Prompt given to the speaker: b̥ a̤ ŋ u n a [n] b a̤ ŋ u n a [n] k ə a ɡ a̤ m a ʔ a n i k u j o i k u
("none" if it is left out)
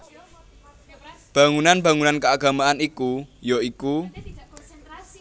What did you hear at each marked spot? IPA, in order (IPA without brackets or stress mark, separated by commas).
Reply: n, n